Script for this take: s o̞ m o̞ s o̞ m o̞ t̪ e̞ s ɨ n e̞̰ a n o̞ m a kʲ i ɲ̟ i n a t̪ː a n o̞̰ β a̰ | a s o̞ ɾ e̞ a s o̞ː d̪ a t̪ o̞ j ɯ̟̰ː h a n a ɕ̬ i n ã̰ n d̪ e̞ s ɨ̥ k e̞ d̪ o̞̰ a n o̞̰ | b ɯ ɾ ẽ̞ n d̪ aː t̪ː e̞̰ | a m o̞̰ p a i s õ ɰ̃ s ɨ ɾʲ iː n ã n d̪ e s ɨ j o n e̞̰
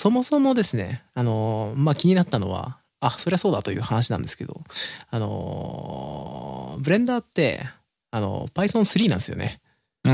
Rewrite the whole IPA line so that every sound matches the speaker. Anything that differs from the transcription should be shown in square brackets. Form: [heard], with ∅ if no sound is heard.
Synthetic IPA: s o̞ m o̞ s o̞ m o̞ [d̪] e̞ s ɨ n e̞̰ a n o̞ m a kʲ i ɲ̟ i n a t̪ː a n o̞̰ β a̰ | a s o̞ ɾ e̞ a s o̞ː d̪ a t̪ o̞ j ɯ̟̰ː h a n a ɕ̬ i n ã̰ n d̪ e̞ s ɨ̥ k e̞ d̪ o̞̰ a n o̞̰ | b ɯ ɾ ẽ̞ n d̪ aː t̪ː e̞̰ | a [n] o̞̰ p a i s õ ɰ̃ s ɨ ɾʲ iː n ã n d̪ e s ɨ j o n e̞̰